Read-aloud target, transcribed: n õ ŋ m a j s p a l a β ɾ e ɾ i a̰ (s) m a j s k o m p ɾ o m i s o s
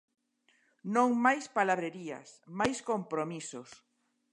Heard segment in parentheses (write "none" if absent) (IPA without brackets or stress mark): s